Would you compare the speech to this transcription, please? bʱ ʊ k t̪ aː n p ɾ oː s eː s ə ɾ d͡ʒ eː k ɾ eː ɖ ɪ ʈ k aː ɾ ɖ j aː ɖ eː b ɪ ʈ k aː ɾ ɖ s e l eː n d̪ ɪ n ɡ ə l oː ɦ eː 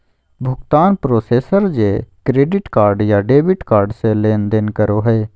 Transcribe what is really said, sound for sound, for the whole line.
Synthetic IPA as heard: bʱ ʊ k t̪ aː n p ɾ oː s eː s ə ɾ d͡ʒ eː k ɾ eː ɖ ɪ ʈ k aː ɾ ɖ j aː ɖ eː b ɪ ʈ k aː ɾ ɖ s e l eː n d̪ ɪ n k ə ɾ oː ɦ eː